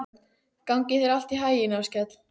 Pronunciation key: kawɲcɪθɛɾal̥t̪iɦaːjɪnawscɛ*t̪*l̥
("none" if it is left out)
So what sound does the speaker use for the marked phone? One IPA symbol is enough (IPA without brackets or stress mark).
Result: t̪